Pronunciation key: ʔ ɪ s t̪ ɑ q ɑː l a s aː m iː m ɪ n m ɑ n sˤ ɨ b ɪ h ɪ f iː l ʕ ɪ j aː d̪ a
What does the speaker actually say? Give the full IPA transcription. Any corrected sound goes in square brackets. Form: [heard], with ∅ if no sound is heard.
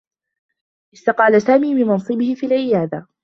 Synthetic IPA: ʔ ɪ s t̪ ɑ q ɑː l a s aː m iː m ɪ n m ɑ n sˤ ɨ b ɪ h ɪ f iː l ʕ ɪ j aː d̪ a

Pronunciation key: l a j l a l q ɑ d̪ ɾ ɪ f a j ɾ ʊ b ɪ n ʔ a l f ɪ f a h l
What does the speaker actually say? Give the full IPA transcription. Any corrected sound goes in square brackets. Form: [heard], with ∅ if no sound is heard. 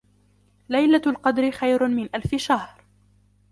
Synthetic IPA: l a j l a l q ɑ d̪ ɾ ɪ [x] a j ɾ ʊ [m] ɪ n ʔ a l f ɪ [ʃ] a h [ɾ]

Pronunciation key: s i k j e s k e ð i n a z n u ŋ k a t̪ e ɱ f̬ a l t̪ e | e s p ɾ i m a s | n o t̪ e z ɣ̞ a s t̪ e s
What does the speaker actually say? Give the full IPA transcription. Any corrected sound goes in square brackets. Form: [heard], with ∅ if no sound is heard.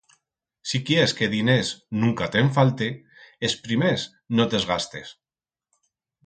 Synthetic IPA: s i k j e s k e ð i n [e] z n u ŋ k a t̪ e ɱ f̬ a l t̪ e | e s p ɾ i m [e] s | n o t̪ e z ɣ̞ a s t̪ e s

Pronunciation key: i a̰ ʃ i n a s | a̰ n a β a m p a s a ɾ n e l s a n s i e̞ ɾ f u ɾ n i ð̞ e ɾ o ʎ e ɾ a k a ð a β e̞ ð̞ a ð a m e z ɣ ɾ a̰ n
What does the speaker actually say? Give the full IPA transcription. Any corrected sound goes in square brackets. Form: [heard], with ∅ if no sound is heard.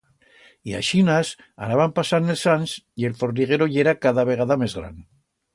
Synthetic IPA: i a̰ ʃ i n a s | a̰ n a β a m p a s a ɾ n e l s a n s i e̞ [l] f [o] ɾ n i [ɣ̞] e ɾ o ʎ e ɾ a k a ð a β e̞ [ɣ̞] a ð a m e z ɣ ɾ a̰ n

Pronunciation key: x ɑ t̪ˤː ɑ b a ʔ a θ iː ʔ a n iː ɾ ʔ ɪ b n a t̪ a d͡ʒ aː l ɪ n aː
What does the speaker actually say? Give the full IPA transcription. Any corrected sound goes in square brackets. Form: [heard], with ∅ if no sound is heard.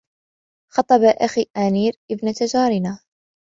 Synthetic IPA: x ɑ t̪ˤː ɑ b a ʔ a [x] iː ʔ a n iː ɾ ʔ ɪ b n a t̪ a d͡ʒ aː [ɾ] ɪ n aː

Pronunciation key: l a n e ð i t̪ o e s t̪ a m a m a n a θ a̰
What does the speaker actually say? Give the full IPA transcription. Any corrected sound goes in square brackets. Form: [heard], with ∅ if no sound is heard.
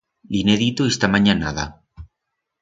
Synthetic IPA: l [i] n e ð i t̪ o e s t̪ a m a [ɲ] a n a [ð] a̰

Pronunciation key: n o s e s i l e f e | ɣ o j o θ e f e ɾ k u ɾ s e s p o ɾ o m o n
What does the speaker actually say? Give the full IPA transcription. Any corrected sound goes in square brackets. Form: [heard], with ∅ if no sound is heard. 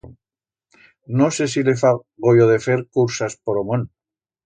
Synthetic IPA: n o s e s i l e f [a] | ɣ o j o [ð] e f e ɾ k u ɾ s [a] s p o ɾ o m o n

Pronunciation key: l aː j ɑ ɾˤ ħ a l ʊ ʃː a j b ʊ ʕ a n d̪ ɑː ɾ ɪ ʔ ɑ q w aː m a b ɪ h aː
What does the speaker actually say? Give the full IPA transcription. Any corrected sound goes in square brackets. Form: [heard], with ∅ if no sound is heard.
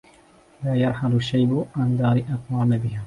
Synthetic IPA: l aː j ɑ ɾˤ ħ a l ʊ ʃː a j b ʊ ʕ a n d̪ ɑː ɾ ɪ ʔ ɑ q w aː m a b ɪ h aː

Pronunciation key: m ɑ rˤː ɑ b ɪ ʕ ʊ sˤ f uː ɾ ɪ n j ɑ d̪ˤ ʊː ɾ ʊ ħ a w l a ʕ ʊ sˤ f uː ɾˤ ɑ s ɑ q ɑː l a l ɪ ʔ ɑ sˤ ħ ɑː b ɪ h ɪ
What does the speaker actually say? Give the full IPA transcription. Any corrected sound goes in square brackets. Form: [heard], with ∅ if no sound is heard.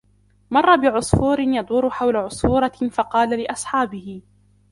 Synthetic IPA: m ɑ rˤː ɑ b ɪ ʕ ʊ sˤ f uː ɾ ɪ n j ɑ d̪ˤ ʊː ɾ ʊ ħ a w l a ʕ ʊ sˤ f uː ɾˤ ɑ [f] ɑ q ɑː l a l ɪ ʔ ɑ sˤ ħ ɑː b ɪ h ɪ

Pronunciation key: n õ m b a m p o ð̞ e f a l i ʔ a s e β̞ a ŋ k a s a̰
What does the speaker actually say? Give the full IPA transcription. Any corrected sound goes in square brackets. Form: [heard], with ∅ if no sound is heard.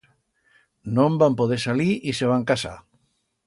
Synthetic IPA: n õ m b a m p o ð̞ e [s] a l i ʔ [i] s e β̞ a ŋ k a s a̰

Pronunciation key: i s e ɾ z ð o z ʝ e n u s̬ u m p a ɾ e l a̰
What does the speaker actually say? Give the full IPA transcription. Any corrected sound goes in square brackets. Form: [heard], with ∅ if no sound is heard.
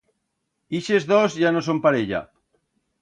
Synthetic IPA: i [ʃ] e [∅] z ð o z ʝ [a] n [o] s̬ [o] m p a ɾ e [ʎ] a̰

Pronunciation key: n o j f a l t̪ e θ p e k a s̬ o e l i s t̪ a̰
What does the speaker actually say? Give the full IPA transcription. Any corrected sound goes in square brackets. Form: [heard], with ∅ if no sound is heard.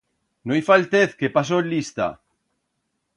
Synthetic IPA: n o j f a l t̪ e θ [k] e [p] a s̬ o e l i s t̪ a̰

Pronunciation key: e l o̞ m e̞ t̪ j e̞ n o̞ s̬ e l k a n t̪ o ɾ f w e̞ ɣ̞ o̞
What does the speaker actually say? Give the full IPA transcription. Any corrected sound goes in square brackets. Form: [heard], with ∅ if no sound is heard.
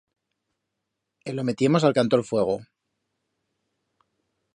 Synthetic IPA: e l o̞ m e̞ t̪ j e̞ [m] o̞ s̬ [a] l k a n t̪ o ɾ f w e̞ ɣ̞ o̞

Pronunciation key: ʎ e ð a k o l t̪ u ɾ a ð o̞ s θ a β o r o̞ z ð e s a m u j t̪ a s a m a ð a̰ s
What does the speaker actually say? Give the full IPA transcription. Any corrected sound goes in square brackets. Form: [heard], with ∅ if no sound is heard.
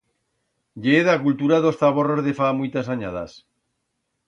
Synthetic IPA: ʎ e ð a k [u] l t̪ u ɾ a ð o̞ s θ a β o r o̞ z ð e [f] a m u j t̪ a s a [ɲ] a ð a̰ s

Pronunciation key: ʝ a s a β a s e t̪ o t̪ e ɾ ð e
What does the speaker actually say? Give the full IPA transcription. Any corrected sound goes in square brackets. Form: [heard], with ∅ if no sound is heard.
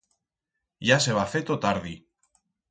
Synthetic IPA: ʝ a s [e] β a [f] e t̪ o t̪ [a] ɾ ð [i]

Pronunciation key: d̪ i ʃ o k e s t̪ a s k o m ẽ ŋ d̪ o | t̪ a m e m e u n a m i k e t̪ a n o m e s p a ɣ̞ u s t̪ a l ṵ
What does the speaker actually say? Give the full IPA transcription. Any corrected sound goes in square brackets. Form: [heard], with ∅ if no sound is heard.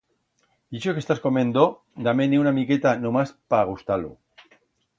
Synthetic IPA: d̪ i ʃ o k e s t̪ a s k o m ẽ [n] d̪ o | [d̪] a m e [n] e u n a m i k e t̪ a n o m [a] s p a ɣ̞ u s t̪ a l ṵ

